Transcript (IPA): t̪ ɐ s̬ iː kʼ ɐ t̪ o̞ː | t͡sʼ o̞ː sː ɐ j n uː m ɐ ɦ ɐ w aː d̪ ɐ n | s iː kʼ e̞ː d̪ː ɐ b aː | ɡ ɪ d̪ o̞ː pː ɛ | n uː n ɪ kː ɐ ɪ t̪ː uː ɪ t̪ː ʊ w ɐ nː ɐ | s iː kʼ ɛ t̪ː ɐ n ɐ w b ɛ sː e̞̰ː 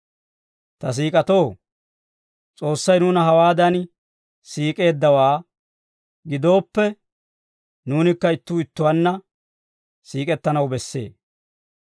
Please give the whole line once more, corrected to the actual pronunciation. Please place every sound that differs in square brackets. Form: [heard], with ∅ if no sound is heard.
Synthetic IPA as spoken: t̪ ɐ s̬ iː kʼ ɐ t̪ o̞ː | t͡sʼ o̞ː sː ɐ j n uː [n] ɐ ɦ ɐ w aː d̪ ɐ n | s iː kʼ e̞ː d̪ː ɐ [w] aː | ɡ ɪ d̪ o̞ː pː ɛ | n uː n ɪ kː ɐ ɪ t̪ː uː ɪ t̪ː ʊ w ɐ nː ɐ | s iː kʼ ɛ t̪ː ɐ n ɐ w b ɛ sː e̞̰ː